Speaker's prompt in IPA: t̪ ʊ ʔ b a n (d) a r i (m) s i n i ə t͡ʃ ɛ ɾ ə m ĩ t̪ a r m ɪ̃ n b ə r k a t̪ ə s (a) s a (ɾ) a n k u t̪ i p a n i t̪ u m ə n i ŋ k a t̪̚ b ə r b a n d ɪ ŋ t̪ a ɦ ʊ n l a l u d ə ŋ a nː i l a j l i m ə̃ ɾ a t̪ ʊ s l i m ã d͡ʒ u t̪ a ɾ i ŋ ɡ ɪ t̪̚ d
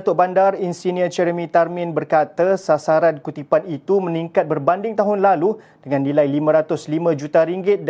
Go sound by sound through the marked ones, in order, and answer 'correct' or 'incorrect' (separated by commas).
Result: correct, incorrect, correct, correct